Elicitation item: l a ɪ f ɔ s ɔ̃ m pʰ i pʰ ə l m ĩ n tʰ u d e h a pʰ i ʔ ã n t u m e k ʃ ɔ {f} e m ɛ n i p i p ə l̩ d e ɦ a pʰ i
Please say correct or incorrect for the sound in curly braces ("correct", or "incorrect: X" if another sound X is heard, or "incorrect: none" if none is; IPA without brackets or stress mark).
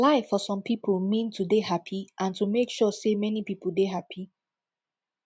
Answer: incorrect: s